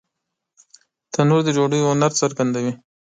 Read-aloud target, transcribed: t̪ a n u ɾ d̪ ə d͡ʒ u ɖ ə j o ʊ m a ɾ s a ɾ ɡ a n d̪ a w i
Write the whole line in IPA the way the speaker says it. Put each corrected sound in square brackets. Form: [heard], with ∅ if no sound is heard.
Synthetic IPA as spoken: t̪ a n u ɾ d̪ ə d͡ʒ [o] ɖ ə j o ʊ [n] a ɾ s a ɾ ɡ a n d̪ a w i